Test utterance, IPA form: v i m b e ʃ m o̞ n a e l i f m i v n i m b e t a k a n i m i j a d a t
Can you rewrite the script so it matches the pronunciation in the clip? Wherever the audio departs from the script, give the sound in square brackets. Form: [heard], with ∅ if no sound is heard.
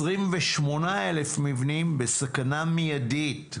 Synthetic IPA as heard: [ʁ] i m [v] e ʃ m o̞ n a e l [e] f m i v n i m b e [s] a k a n [a] m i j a d [i] t